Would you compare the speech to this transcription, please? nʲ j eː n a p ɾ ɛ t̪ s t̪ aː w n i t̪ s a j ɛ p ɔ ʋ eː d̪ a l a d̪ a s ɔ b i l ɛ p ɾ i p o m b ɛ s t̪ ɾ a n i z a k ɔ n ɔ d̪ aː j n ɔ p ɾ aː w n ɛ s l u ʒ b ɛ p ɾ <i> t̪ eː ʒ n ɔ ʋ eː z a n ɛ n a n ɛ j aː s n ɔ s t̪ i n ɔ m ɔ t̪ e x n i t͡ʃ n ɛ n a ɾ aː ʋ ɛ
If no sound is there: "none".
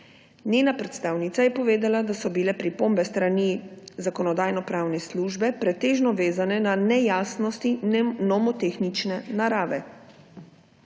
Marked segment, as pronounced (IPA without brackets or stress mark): ɛ